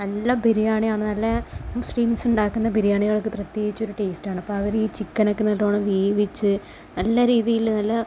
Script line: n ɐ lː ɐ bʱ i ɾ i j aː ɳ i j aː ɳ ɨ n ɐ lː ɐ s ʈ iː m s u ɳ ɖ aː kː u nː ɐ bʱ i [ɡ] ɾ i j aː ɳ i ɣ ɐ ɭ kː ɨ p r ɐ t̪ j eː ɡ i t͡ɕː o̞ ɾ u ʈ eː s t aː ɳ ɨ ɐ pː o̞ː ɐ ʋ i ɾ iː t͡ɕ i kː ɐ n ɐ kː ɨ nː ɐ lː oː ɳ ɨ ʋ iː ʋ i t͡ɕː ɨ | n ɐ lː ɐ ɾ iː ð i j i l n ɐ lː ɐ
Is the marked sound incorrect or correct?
incorrect